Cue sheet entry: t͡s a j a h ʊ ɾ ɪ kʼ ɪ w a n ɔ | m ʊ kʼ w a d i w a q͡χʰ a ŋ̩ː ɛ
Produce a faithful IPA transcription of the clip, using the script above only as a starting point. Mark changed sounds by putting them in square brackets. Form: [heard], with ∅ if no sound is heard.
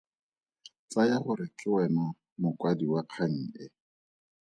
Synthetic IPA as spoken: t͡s a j a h ʊ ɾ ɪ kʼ ɪ w [ɛ] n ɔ | m ʊ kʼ w a d i w a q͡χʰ a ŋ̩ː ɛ

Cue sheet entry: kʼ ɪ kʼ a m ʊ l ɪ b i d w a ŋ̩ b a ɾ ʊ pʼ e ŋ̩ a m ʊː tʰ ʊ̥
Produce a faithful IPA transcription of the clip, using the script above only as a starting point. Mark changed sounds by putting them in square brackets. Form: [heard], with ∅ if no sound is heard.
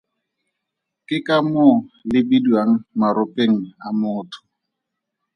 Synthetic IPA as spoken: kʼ ɪ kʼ a m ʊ l ɪ b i d w a ŋ̩ [m] a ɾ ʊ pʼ e ŋ̩ a m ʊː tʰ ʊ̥

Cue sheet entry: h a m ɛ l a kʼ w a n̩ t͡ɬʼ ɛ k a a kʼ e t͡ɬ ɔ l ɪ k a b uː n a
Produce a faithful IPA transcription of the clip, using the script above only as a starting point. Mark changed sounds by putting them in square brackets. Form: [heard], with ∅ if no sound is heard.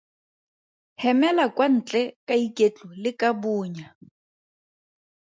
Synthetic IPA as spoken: h [ɛ] m ɛ l a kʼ w a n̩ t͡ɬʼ ɛ k a [i] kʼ e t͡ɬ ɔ l ɪ k a b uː [ɲ] a

